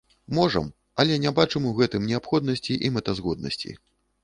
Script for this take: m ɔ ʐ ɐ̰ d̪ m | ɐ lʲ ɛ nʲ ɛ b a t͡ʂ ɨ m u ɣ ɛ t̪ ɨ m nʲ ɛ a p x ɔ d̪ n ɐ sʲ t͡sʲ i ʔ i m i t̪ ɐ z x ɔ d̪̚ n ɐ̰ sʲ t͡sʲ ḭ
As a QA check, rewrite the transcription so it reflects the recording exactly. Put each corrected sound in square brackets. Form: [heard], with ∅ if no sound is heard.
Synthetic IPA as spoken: m ɔ ʐ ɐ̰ [∅] m | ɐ lʲ ɛ nʲ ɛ b a t͡ʂ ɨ m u ɣ ɛ t̪ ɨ m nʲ ɛ a p x ɔ d̪ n ɐ sʲ t͡sʲ i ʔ i m [ɛ] t̪ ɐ z [ɣ] ɔ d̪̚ n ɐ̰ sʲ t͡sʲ ḭ